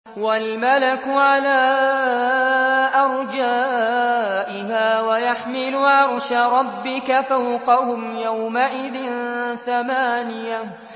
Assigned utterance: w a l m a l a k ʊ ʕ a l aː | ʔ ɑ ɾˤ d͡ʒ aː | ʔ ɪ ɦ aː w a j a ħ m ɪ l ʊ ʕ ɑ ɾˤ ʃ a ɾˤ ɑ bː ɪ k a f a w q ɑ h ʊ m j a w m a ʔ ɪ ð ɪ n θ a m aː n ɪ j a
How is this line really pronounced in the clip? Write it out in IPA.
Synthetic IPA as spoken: w a l m a l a k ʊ ʕ a l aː | ʔ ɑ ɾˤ d͡ʒ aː | ʔ ɪ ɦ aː w a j a ħ m ɪ l ʊ ʕ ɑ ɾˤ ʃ a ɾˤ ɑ bː ɪ k a f a w q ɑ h ʊ m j a w m a ʔ ɪ ð ɪ n θ a m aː n ɪ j a